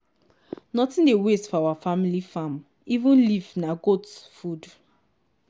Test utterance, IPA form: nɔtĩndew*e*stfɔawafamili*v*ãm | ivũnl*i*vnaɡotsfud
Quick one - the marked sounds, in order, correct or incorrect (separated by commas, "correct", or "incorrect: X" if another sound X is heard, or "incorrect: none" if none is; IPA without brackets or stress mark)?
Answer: correct, incorrect: f, correct